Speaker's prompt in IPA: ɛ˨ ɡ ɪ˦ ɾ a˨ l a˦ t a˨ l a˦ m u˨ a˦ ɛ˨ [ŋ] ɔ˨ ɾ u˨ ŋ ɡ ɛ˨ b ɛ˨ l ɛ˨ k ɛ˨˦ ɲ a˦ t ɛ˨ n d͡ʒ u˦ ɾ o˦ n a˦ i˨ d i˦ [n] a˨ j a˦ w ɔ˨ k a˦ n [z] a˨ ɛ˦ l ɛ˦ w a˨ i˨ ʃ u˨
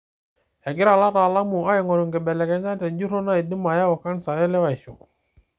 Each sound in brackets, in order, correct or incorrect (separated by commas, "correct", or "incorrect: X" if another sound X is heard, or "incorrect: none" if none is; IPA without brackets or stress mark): correct, incorrect: m, incorrect: s